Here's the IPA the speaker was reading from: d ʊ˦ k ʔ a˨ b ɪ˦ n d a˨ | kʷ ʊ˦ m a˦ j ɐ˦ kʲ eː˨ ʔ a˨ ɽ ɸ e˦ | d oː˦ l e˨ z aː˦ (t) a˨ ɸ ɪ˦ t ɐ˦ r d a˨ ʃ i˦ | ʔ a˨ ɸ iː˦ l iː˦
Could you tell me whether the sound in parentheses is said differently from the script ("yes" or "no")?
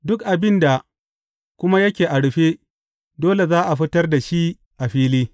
yes